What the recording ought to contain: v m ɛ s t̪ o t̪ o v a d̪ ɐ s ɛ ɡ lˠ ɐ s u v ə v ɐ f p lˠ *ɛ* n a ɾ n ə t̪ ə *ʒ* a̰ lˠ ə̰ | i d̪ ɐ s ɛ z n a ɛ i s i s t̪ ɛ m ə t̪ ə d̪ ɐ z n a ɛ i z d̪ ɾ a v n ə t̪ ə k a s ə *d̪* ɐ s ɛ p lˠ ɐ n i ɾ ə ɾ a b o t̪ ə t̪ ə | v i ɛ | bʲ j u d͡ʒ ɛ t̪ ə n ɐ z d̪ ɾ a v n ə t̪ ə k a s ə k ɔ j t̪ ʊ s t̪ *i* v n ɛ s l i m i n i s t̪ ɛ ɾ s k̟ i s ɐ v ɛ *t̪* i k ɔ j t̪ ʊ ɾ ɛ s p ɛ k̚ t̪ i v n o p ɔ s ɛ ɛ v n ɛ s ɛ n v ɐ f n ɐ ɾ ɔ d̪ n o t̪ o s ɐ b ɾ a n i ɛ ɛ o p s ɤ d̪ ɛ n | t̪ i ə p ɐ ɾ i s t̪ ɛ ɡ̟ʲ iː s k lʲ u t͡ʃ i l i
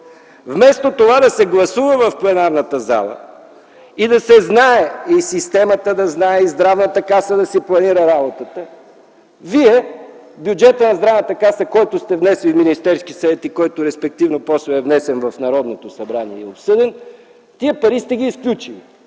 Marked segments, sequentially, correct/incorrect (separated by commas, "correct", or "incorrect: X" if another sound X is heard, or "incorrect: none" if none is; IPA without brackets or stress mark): correct, incorrect: z, correct, incorrect: ɛ, correct